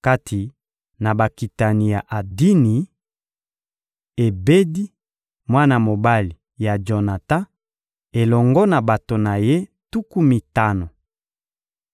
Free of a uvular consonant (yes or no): yes